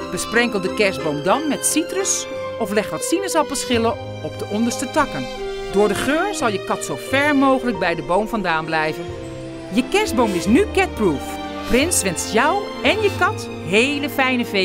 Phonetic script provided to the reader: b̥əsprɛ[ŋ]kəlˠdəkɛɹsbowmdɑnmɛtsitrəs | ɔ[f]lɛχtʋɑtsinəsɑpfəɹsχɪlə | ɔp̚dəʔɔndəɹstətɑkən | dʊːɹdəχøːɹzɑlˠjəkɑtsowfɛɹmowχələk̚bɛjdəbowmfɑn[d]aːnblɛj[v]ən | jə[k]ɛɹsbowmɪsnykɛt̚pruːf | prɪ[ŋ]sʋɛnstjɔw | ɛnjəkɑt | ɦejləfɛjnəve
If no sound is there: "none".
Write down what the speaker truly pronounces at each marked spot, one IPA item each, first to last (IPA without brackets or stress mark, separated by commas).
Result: ŋ, f, d, v, k, n